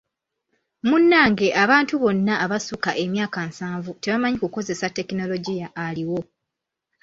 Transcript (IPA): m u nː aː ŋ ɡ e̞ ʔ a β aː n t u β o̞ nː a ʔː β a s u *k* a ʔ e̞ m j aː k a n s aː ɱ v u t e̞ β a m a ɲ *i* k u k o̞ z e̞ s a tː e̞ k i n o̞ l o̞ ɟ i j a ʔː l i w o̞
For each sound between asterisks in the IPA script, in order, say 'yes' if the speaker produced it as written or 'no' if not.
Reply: yes, yes

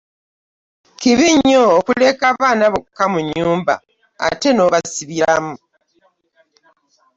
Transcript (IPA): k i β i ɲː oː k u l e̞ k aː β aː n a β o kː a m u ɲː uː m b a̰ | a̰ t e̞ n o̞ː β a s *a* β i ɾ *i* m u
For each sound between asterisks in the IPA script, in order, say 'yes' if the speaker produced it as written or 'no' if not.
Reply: no, no

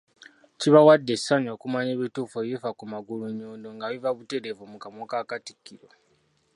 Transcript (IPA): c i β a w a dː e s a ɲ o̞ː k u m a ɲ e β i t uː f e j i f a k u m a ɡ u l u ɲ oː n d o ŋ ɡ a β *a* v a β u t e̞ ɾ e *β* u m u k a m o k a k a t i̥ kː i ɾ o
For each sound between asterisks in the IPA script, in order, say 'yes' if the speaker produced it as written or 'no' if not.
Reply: no, no

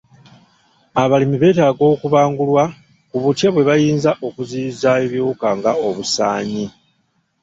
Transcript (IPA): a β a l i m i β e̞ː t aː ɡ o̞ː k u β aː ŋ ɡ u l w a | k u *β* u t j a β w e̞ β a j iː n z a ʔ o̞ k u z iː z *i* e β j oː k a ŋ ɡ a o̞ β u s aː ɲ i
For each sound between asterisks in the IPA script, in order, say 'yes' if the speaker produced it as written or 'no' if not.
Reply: yes, no

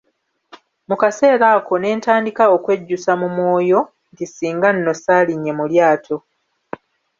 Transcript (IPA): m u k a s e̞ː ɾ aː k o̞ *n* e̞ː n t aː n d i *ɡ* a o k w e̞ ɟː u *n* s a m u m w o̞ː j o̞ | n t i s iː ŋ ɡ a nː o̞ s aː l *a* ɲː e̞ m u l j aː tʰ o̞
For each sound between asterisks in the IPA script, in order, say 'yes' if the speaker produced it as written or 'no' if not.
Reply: yes, no, no, no

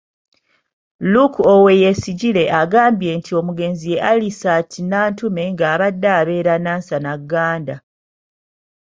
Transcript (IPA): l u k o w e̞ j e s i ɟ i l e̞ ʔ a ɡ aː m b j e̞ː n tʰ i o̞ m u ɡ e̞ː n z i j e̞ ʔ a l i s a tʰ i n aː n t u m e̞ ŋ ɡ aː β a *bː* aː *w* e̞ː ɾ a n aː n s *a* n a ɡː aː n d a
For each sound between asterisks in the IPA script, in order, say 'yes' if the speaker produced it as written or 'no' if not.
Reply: no, no, yes

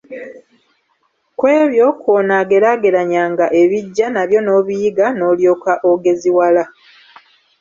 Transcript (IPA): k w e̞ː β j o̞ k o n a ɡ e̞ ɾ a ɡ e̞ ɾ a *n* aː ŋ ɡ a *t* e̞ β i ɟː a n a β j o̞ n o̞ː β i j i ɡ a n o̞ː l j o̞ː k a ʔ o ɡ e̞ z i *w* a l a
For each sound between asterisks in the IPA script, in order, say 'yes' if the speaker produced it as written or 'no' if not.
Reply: no, no, yes

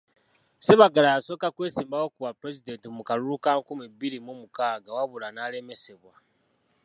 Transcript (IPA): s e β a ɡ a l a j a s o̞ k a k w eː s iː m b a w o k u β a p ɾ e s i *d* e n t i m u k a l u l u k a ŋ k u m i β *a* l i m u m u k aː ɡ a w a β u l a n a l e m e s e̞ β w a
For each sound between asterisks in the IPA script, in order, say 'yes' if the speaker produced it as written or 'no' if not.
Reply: yes, no

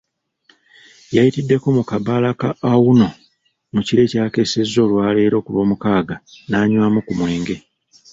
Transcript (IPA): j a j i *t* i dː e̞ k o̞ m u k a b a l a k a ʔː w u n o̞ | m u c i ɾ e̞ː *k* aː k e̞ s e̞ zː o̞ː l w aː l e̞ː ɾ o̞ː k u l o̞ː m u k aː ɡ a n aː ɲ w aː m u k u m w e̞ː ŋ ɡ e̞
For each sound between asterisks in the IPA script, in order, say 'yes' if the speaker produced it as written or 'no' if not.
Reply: yes, no

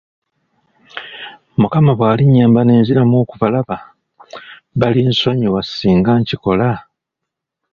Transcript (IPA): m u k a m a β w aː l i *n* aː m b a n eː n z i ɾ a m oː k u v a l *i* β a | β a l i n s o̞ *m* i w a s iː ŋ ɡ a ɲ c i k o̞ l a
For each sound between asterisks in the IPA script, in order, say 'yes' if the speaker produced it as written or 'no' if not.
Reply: no, no, no

